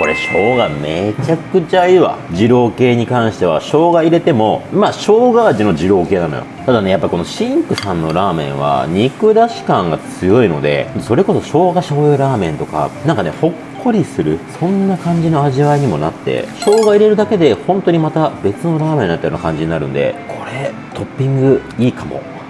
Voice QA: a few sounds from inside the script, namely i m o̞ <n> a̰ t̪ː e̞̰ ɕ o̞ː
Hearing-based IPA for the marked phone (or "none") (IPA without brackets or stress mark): n